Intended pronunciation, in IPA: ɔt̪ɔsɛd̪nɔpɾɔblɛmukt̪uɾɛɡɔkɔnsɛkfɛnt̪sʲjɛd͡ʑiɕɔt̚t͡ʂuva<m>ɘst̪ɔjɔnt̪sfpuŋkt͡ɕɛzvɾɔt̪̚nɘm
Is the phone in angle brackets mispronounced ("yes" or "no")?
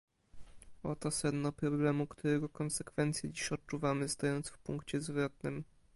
no